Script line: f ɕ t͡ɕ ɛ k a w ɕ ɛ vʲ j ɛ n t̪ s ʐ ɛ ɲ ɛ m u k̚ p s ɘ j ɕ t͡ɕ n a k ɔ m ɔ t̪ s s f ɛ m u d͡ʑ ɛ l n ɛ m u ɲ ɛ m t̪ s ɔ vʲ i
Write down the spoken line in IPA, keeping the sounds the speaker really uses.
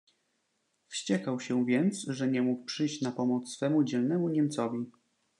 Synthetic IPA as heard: f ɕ t͡ɕ ɛ k a w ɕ ɛ vʲ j ɛ n t̪ s ʐ ɛ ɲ ɛ m u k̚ p ʂ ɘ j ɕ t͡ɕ n a p ɔ m ɔ t̪ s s f ɛ m u d͡ʑ ɛ l n ɛ m u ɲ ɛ m t̪ s ɔ vʲ i